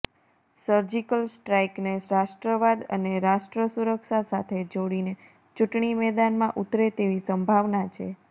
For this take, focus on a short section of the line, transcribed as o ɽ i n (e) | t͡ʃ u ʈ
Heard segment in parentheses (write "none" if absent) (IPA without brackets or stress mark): e